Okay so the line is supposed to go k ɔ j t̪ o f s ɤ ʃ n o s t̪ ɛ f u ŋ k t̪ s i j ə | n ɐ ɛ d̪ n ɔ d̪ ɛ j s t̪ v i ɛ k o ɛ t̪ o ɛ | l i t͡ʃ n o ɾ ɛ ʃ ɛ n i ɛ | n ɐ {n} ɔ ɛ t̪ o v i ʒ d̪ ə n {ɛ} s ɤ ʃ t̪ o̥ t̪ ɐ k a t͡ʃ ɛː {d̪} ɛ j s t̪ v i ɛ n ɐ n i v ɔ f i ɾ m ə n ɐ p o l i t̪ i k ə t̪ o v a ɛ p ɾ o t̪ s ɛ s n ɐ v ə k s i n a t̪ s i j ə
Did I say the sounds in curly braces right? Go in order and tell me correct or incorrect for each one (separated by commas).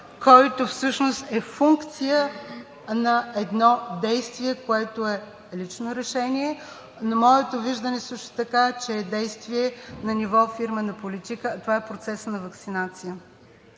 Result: incorrect, correct, correct